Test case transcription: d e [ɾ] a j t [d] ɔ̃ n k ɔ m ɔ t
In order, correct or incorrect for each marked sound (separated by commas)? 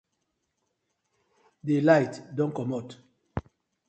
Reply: incorrect, correct